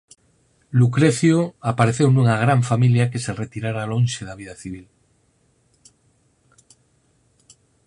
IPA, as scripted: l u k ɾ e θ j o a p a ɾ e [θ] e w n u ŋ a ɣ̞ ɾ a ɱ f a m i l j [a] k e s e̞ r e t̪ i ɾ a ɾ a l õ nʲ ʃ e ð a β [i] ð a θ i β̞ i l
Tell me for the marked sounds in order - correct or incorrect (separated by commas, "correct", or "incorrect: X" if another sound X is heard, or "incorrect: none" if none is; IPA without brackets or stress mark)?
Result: correct, correct, correct